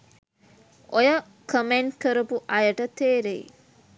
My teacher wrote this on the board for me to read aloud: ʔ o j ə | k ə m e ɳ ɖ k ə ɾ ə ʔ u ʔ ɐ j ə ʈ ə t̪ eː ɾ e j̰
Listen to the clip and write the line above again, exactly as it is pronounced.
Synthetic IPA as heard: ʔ o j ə | k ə m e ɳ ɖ k ə ɾ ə p u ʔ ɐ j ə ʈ ə t̪ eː ɾ e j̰